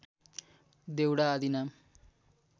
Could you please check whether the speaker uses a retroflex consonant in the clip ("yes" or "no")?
yes